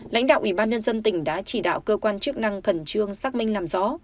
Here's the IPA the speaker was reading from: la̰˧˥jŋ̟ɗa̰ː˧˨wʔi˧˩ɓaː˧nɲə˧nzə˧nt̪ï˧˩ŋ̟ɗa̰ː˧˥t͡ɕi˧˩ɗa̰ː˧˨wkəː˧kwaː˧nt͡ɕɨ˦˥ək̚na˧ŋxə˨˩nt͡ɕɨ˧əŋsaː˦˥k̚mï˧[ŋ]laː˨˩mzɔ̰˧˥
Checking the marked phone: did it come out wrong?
no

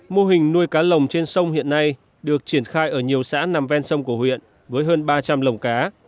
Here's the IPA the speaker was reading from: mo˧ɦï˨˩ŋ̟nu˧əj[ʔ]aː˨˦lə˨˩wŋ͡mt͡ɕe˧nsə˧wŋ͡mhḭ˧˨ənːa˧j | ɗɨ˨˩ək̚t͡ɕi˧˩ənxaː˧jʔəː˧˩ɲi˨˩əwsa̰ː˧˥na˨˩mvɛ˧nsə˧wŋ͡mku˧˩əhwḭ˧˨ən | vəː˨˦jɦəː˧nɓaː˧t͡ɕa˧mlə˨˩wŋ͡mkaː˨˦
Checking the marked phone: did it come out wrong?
yes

